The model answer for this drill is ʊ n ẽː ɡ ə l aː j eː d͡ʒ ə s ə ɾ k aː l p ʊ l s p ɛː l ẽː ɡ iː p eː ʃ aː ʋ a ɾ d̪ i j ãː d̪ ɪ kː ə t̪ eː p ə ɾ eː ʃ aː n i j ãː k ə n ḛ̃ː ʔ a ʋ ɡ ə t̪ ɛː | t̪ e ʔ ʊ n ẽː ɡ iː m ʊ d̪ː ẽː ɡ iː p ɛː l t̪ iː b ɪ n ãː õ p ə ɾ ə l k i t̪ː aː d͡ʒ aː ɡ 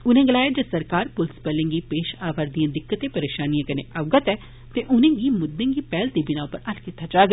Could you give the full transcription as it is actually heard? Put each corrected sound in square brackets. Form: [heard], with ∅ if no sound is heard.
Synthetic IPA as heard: ʊ n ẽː ɡ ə l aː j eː d͡ʒ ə s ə ɾ k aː [ɾ] p ʊ l s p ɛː l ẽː ɡ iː p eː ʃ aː ʋ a ɾ d̪ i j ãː d̪ ɪ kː ə t̪ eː p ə ɾ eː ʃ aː n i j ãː k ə n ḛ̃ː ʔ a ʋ ɡ ə t̪ ɛː | t̪ e ʔ ʊ n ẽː ɡ iː m ʊ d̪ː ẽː ɡ iː p ɛː l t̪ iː b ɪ n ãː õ p ə ɾ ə l k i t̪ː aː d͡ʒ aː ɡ